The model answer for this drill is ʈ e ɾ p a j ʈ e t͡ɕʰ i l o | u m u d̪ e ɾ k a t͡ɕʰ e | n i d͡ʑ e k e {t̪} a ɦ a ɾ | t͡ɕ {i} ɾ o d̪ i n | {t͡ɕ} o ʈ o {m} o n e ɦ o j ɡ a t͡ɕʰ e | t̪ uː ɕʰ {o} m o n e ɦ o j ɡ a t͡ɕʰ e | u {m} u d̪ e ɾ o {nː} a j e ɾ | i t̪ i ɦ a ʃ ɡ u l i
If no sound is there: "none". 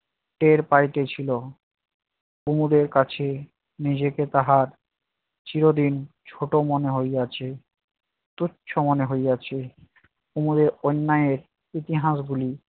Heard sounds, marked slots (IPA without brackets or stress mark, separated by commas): t̪, i, t͡ɕʰ, m, o, m, nː